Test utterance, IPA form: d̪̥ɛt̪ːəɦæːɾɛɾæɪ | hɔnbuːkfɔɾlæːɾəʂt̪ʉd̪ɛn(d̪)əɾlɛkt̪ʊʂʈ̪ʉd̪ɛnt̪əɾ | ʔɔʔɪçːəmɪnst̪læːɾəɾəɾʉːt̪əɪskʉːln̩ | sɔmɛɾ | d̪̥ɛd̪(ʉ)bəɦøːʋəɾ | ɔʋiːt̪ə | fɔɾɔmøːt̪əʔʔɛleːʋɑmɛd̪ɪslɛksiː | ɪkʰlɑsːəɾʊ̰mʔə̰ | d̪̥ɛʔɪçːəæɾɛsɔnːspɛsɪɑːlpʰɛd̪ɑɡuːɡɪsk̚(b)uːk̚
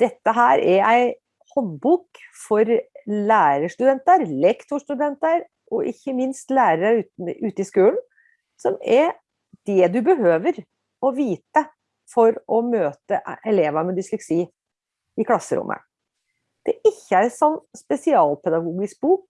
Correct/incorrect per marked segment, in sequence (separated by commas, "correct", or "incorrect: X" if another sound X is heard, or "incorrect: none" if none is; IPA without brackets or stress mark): incorrect: t̪, correct, correct